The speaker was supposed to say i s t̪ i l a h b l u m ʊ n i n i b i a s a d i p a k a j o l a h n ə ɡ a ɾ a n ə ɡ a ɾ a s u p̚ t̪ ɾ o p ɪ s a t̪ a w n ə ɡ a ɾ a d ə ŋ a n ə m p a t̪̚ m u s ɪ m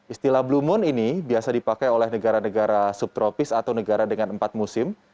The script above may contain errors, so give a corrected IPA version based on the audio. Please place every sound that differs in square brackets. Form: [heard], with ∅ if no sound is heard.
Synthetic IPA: i s t̪ i l a h b l u m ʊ n i n i b i a s a d i p a k a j o l [ɛ] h n ə ɡ a ɾ a n ə ɡ a ɾ a s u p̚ t̪ ɾ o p ɪ s a t̪ a w n ə ɡ a ɾ a d ə ŋ a n ə m p a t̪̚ m u s ɪ m